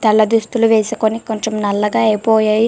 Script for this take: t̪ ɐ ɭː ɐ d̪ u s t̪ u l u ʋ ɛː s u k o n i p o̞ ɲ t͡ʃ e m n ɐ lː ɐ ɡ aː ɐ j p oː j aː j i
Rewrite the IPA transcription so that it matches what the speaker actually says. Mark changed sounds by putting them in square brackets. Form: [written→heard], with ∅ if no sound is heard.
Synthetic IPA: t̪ ɐ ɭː ɐ d̪ u s t̪ u l u ʋ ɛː s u k o n i [p→k] o̞ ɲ t͡ʃ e m n ɐ lː ɐ ɡ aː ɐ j p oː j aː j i